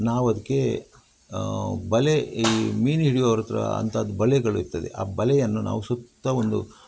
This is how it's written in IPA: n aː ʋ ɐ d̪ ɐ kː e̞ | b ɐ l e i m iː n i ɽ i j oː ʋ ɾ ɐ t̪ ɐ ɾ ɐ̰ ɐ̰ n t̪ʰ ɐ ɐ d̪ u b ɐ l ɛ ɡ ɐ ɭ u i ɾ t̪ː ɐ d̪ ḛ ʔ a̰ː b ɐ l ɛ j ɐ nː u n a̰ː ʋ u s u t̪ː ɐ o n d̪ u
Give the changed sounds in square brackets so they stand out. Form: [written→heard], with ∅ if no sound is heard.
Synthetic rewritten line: n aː ʋ ɐ d̪ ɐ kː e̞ | b ɐ l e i m iː n i ɽ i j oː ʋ ɾ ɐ t̪ ɐ ɾ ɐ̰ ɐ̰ n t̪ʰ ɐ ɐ d̪ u b ɐ l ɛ ɡ ɐ ɭ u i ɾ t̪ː ɐ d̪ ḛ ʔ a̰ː b ɐ l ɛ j ɐ nː u n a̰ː ʋ u s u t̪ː ɐ o n d̪ u